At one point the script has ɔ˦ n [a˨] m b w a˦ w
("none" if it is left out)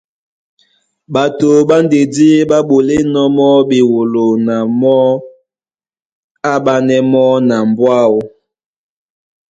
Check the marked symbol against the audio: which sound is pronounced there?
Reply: a˨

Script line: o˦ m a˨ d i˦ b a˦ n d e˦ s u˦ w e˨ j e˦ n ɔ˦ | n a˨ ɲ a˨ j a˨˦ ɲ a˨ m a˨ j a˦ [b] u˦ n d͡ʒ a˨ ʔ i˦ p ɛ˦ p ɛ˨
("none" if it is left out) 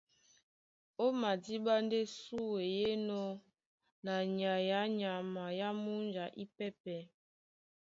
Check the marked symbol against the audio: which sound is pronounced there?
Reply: m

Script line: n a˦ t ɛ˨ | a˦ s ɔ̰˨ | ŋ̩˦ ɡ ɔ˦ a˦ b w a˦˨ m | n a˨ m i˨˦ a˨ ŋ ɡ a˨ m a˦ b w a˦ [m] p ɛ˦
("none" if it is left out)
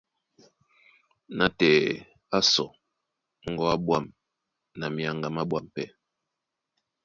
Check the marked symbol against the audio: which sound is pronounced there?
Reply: m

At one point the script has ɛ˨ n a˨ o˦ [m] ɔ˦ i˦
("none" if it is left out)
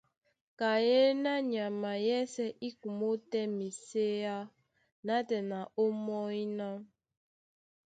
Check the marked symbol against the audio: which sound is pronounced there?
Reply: m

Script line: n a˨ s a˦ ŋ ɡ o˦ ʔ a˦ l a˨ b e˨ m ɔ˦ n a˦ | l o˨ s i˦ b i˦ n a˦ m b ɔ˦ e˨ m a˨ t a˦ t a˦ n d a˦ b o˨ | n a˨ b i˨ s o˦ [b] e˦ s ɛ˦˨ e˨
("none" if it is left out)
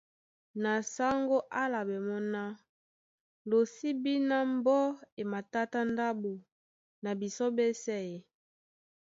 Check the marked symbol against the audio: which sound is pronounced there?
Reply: b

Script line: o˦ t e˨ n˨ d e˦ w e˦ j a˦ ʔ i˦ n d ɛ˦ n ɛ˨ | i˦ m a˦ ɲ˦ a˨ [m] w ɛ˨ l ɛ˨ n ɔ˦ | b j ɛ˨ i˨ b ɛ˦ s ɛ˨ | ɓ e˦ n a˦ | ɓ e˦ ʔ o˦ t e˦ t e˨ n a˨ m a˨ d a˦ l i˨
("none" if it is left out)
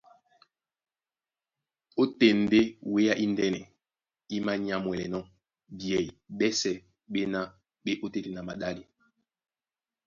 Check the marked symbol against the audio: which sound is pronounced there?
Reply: m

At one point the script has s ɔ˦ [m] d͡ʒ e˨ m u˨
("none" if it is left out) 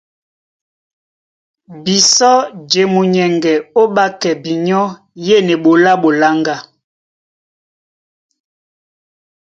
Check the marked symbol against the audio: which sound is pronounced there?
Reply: none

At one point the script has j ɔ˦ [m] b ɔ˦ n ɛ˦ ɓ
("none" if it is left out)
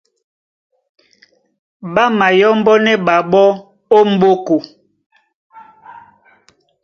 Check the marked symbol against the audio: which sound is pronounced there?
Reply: m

